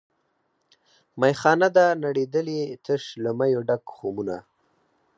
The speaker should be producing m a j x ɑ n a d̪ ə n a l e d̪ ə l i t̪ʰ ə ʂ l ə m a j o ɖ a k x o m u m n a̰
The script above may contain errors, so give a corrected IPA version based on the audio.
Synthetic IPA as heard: m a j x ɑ n a d̪ a n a ɽ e d̪ ə l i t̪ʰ ə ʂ l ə m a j o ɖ a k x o m u n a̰